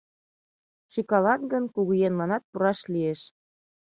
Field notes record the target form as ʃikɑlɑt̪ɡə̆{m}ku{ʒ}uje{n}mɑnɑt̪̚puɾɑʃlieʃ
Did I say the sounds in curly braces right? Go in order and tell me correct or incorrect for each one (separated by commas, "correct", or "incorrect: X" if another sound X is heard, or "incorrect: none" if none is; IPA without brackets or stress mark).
incorrect: n, incorrect: ɣ, correct